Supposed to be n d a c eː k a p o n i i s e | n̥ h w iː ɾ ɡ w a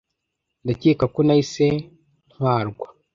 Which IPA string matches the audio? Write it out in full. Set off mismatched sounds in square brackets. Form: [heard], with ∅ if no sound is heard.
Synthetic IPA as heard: n d a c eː k a [k] o n [a] i s e | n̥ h w [aː] ɾ ɡ w a